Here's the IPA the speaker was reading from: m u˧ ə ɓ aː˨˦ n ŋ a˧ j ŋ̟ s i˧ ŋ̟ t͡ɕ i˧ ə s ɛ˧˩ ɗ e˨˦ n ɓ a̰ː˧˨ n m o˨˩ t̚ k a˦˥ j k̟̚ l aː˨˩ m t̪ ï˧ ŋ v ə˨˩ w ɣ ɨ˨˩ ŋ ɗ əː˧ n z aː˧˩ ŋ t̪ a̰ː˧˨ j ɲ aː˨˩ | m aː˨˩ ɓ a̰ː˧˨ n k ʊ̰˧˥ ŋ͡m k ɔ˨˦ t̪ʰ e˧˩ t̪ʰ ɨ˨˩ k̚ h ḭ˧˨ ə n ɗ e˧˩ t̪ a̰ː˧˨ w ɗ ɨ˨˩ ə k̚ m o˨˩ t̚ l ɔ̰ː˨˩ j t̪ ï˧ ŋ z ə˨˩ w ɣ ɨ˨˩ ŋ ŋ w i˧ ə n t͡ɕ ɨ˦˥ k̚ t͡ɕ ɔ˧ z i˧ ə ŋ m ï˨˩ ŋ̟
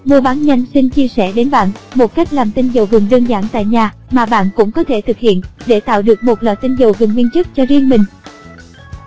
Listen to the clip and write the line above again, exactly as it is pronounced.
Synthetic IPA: m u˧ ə ɓ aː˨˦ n ɲ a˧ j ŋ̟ s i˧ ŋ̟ t͡ɕ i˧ ə s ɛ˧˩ ɗ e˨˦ n ɓ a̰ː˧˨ n m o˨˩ t̚ k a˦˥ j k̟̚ l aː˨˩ m t̪ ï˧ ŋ z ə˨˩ w ɣ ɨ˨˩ ŋ ɗ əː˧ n z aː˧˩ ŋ t̪ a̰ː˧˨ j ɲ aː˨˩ | m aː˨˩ ɓ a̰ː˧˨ n k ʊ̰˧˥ ŋ͡m k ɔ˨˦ t̪ʰ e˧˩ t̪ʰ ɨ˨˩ k̚ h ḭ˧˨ ə n ɗ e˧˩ t̪ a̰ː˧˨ w ɗ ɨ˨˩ ə k̚ m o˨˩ t̚ l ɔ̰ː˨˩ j t̪ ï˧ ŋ z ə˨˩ w ɣ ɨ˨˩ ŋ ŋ w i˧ ə n t͡ɕ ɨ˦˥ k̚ t͡ɕ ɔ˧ z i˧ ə ŋ m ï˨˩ ŋ̟